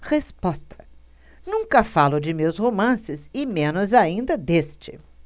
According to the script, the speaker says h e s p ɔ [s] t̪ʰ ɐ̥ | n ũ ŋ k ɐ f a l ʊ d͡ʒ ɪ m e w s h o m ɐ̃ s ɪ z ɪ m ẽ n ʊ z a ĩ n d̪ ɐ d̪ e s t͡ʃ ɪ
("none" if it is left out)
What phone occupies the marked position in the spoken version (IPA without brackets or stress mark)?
s